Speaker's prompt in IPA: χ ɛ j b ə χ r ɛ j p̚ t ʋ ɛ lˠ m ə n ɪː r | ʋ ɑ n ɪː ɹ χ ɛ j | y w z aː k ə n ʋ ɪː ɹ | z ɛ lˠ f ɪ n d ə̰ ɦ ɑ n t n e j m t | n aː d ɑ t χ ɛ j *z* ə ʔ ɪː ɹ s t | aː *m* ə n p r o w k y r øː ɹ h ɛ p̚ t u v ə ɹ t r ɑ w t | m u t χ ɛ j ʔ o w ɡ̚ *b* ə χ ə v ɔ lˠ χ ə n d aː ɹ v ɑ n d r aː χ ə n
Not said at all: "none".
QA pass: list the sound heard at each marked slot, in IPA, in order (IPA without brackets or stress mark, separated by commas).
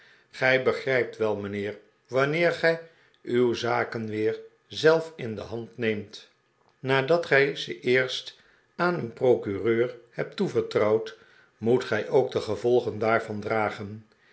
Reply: z, n, d